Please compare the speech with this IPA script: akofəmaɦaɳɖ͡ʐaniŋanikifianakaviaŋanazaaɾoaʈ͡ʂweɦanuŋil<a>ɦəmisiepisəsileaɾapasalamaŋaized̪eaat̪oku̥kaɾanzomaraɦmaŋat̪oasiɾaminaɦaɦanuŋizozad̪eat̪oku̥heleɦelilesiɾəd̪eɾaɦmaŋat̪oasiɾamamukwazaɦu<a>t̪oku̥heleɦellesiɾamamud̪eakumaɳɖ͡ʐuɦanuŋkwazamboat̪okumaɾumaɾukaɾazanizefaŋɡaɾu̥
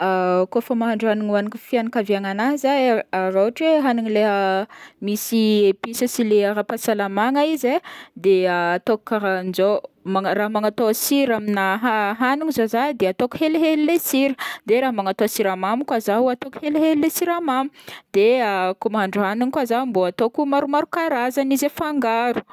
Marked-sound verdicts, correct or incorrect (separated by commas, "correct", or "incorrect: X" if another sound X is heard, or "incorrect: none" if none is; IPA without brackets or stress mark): incorrect: e, correct